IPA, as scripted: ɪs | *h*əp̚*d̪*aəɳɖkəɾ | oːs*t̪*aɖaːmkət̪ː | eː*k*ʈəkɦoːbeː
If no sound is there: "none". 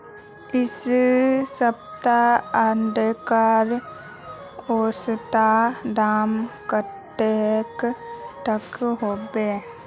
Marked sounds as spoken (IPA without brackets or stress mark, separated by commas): s, t̪, t̪, k